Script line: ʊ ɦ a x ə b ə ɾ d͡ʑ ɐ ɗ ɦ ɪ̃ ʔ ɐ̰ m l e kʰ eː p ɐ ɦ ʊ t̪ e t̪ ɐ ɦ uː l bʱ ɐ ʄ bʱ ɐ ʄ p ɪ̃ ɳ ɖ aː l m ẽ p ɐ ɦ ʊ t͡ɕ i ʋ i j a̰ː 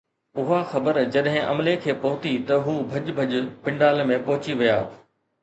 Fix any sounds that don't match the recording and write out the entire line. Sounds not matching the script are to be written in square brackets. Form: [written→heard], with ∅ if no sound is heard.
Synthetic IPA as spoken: ʊ ɦ a x [ə→ɐ] b ə ɾ d͡ʑ ɐ ɗ ɦ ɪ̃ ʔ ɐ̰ m l e kʰ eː p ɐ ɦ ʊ t̪ [e→i] t̪ ɐ ɦ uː [l→∅] bʱ ɐ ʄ bʱ ɐ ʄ p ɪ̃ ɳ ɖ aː l m ẽ p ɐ ɦ ʊ t͡ɕ i ʋ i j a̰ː